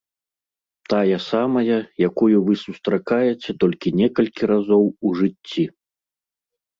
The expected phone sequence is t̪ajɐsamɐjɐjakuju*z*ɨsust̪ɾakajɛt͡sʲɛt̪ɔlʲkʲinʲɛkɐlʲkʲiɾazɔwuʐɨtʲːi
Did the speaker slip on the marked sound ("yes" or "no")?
yes